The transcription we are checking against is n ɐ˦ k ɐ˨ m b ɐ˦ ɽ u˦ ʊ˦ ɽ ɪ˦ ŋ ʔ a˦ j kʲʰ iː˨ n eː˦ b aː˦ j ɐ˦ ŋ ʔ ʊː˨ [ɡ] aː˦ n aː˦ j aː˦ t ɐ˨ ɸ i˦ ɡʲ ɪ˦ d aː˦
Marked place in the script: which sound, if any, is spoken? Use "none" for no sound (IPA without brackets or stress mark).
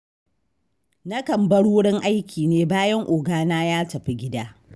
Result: ɡ